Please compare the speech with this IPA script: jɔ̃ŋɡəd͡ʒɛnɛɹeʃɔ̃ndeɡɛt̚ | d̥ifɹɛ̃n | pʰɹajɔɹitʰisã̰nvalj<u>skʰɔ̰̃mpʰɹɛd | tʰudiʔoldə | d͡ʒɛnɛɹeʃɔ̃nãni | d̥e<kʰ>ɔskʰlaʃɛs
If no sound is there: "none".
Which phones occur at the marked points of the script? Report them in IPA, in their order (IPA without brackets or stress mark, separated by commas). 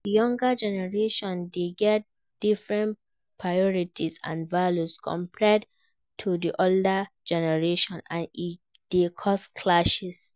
u, kʰ